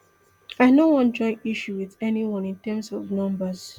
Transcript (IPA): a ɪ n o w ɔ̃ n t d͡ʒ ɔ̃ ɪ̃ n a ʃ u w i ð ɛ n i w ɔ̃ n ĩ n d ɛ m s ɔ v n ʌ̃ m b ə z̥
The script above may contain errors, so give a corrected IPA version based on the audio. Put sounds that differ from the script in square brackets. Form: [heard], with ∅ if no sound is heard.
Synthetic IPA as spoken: a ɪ n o w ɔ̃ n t d͡ʒ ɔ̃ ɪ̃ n [i] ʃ u w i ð ɛ n i w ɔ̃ n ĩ n [t] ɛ m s ɔ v n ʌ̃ m b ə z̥